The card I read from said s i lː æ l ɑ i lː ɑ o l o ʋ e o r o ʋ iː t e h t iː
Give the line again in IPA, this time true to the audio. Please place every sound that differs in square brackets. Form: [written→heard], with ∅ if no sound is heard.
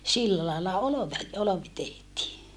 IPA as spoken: s i lː æ l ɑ i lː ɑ o l o ʋ e o [r→l] o ʋ [iː→i] t e h t iː